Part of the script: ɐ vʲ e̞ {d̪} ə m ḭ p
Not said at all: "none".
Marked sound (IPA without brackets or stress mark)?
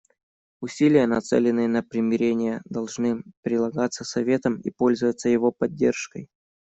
t̪